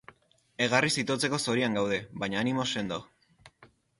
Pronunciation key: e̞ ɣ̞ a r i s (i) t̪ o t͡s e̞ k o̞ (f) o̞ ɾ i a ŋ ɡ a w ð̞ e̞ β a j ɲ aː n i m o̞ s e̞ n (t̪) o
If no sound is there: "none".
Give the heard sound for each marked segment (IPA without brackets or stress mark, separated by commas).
i, s, d̪